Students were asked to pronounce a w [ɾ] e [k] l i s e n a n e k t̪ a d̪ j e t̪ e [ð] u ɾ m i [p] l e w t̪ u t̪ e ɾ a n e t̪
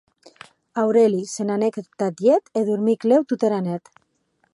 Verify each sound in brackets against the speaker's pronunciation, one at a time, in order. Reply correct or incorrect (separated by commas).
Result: correct, incorrect, correct, incorrect